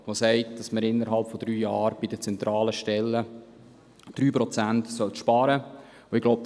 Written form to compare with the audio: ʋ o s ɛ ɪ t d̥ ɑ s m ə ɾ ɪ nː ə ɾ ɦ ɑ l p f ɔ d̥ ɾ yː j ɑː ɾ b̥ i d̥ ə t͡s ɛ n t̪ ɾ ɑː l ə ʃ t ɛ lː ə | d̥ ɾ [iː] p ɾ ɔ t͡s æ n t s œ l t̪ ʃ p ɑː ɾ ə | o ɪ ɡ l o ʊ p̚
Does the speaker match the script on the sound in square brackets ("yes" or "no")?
no